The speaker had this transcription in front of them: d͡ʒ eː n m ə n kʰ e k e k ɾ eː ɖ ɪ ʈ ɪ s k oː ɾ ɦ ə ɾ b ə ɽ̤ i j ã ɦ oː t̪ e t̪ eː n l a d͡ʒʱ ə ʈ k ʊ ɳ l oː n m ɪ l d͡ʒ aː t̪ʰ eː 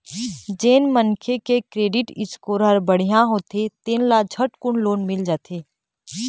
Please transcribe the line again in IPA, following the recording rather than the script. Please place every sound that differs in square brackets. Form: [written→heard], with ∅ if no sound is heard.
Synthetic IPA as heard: d͡ʒ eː n m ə n kʰ e k e k ɾ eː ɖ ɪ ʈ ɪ s k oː ɾ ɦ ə ɾ b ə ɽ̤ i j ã ɦ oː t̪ e t̪ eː n l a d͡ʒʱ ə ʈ k ʊ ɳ l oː n m ɪ l d͡ʒ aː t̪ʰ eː